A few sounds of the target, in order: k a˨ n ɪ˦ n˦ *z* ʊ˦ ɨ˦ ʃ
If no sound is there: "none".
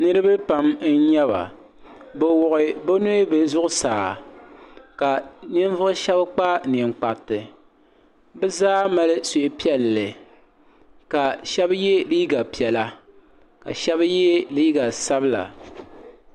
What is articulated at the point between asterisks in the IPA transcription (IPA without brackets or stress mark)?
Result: v